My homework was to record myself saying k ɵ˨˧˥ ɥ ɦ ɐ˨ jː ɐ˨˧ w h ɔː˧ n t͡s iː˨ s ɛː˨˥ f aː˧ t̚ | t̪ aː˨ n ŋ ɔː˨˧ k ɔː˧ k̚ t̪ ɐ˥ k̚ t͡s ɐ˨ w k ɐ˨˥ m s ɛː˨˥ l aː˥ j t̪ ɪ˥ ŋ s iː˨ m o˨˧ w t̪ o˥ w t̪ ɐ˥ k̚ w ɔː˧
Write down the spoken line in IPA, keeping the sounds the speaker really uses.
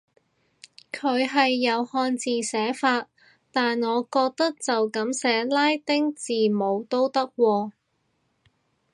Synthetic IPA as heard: kʰ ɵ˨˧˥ ɥ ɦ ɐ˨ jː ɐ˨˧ w h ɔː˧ n t͡s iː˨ s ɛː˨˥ f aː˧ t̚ | t̪ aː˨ n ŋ ɔː˨˧ k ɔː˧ k̚ t̪ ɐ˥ k̚ t͡s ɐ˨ w k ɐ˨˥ m s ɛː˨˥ l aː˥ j t̪ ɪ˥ ŋ t͡s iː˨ m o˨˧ w t̪ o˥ w t̪ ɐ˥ k̚ w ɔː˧